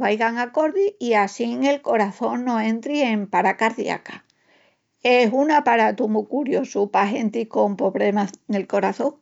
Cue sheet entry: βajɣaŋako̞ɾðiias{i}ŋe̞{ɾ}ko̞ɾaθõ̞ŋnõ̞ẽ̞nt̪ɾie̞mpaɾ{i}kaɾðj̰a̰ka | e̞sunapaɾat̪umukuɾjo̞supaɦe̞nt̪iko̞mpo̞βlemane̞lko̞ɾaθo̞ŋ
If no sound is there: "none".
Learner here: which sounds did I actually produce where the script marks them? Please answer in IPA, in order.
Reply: i, l, a

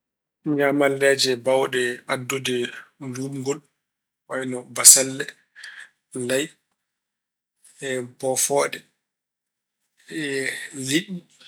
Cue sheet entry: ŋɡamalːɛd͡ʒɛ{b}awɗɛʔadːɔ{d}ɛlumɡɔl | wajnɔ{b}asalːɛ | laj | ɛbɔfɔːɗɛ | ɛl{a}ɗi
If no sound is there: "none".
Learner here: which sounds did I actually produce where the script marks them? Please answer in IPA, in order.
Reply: b, d, b, i

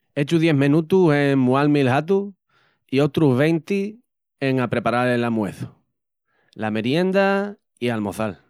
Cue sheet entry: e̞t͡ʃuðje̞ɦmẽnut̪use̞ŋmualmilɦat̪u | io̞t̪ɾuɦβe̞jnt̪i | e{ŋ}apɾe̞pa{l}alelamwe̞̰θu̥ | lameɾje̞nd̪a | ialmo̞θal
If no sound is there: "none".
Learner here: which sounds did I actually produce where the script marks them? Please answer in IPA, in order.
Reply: ŋ, ɾ

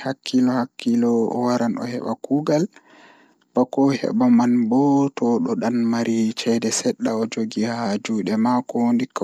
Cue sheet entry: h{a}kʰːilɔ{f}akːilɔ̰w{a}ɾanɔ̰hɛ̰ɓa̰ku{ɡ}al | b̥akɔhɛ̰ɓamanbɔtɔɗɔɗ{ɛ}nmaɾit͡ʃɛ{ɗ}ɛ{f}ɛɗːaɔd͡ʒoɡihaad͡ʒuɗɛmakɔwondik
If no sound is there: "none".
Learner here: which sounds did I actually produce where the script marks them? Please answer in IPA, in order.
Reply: a, h, a, ɡ, a, d, s

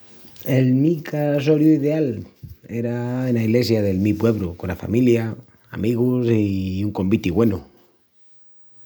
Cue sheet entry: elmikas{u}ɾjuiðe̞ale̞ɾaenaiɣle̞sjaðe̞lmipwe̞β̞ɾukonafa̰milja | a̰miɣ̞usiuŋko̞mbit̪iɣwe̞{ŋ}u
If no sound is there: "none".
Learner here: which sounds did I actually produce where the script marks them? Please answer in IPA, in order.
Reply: o, n

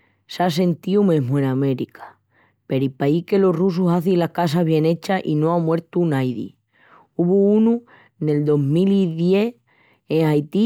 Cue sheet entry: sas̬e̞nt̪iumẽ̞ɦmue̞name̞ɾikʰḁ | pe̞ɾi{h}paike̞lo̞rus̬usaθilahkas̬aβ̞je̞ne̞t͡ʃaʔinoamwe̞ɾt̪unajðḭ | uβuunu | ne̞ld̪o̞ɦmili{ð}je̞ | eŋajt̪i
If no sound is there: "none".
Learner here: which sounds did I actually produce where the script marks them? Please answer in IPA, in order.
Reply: none, ð

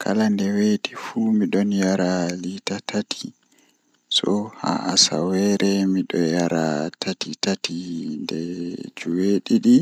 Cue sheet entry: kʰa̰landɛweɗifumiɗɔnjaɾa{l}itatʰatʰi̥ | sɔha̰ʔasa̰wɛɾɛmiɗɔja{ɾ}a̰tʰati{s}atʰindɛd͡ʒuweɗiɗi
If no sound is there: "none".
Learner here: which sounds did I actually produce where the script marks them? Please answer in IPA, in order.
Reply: l, ɾ, t

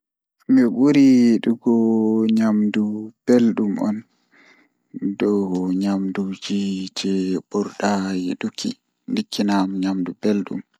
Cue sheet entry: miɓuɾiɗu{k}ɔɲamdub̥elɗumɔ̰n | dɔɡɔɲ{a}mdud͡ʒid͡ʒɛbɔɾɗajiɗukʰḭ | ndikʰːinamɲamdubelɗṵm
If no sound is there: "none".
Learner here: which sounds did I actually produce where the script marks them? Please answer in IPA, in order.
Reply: ɡ, a

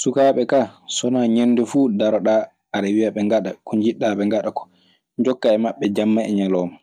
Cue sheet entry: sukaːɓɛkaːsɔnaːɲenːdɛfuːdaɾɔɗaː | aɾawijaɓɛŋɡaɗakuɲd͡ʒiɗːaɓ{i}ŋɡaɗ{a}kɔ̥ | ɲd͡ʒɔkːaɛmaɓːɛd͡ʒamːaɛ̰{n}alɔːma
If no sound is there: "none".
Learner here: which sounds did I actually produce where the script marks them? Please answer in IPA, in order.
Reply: ɛ, a, ɲ

